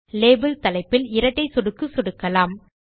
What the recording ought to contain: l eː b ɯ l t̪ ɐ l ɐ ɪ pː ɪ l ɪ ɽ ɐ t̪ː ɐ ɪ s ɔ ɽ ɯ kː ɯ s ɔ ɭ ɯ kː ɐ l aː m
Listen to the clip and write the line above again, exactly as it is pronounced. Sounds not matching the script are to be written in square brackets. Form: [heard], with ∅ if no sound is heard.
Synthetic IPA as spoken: l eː b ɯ l t̪ ɐ l ɐ ɪ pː ɪ l ɪ [ɾ] ɐ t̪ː ɐ ɪ s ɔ ɽ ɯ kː ɯ s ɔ [ɽ] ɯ kː ɐ l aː m